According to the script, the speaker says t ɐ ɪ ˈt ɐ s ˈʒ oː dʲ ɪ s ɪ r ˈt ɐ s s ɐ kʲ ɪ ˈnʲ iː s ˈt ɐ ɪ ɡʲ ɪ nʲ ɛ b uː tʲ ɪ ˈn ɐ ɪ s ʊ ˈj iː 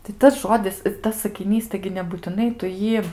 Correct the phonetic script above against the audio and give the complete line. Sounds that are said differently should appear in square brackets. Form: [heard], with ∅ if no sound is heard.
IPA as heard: t ɐ ɪ ˈt ɐ s ˈʒ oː dʲ ɪ s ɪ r ˈt ɐ s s ɐ kʲ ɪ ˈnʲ iː s ˈt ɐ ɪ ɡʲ ɪ nʲ ɛ b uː tʲ ɪ ˈn ɐ ɪ [t] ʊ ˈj iː